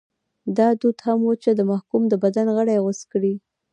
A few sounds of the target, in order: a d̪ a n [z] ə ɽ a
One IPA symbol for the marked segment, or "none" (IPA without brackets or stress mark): ɣ